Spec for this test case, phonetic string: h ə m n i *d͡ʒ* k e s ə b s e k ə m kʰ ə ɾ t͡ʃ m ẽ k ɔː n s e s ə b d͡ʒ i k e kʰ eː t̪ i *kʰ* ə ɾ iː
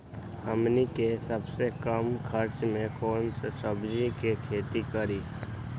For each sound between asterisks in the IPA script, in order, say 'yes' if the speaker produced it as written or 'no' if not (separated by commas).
no, no